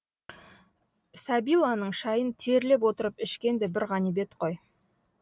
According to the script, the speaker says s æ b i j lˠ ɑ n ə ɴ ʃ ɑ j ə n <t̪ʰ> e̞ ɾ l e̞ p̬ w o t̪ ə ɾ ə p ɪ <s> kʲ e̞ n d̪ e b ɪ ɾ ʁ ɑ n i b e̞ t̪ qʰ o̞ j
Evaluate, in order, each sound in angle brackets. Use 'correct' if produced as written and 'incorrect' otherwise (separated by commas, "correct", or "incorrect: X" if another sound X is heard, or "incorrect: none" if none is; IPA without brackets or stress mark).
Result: correct, incorrect: ʃ